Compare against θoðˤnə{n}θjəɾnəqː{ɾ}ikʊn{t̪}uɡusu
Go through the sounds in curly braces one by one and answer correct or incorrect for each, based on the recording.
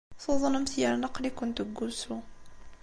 incorrect, incorrect, correct

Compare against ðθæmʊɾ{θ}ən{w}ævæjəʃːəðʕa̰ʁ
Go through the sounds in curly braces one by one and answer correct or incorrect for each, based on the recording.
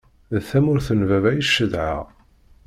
correct, incorrect

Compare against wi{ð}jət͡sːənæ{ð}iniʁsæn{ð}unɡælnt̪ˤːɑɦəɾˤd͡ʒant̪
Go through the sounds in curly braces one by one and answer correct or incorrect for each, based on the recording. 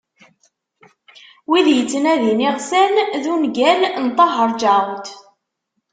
correct, correct, correct

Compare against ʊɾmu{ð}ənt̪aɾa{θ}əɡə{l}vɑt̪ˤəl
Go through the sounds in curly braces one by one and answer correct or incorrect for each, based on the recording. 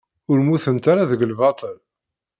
incorrect, incorrect, correct

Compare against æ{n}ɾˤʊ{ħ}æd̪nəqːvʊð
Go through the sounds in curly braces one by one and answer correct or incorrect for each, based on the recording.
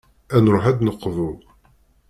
correct, correct

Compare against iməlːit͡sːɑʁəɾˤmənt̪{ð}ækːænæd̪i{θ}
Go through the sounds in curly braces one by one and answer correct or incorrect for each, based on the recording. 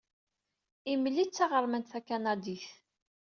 incorrect, correct

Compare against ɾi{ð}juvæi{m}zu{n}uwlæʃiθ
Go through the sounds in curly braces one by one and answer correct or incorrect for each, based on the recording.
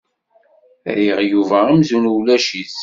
incorrect, correct, correct

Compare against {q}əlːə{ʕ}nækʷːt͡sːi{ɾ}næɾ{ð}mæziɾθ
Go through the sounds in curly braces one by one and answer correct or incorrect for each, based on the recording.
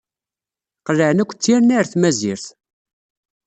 correct, correct, correct, incorrect

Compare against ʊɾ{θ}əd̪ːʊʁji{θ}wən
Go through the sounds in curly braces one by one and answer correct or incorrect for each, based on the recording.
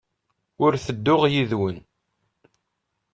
correct, incorrect

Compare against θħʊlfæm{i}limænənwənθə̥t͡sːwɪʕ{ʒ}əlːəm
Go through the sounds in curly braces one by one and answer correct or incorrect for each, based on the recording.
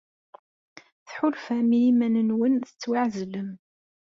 correct, incorrect

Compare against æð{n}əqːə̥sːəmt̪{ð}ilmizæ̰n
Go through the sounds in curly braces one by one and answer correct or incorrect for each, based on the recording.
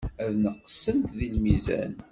correct, correct

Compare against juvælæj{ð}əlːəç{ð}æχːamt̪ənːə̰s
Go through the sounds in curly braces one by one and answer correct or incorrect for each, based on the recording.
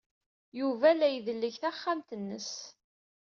correct, incorrect

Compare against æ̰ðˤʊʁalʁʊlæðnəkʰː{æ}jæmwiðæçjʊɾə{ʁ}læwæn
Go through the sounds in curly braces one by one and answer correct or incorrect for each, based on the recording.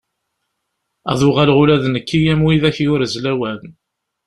incorrect, incorrect

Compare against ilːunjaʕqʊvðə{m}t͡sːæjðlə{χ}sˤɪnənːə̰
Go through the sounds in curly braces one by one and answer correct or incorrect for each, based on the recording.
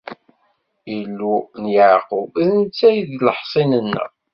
incorrect, incorrect

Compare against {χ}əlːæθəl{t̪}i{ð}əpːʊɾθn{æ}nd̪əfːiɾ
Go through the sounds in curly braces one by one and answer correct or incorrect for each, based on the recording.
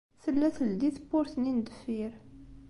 incorrect, incorrect, incorrect, incorrect

